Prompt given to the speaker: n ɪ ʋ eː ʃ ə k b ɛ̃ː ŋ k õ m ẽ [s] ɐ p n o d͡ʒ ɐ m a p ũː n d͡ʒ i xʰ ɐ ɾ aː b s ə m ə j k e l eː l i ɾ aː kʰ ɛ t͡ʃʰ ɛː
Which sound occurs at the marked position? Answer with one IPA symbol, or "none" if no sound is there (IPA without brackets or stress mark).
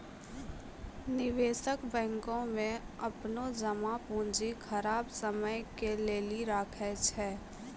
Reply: none